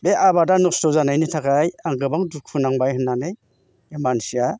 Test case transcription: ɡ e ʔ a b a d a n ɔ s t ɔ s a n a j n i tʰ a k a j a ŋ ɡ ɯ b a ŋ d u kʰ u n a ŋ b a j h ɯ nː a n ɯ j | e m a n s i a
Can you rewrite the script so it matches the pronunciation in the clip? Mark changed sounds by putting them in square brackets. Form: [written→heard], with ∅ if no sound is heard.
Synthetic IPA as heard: [ɡ→b] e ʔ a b a d a n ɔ s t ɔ [s→z] a n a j n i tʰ a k a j a ŋ ɡ ɯ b a ŋ d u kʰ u n a ŋ b a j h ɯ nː a n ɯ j | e m a n s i a